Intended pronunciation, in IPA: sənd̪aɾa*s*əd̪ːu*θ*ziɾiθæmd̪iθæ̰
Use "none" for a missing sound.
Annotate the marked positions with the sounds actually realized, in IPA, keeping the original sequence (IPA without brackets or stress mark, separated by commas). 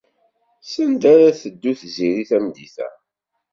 θ, θ